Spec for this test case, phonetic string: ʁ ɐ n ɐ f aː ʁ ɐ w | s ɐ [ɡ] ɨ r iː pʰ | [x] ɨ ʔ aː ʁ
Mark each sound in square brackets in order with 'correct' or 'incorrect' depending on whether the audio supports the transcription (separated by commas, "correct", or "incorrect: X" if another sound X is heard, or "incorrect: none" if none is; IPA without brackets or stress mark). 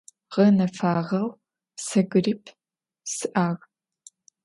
correct, incorrect: s